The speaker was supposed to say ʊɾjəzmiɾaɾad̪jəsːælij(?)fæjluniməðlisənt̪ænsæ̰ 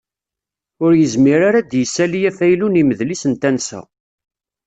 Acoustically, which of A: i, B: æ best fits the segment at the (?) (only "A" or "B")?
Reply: B